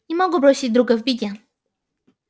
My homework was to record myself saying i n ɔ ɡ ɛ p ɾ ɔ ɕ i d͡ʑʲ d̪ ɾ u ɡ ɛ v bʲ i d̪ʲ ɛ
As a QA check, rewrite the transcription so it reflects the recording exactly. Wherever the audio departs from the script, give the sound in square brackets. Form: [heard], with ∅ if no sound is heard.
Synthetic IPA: i [m] ɔ ɡ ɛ p ɾ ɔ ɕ i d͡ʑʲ d̪ ɾ u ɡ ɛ v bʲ i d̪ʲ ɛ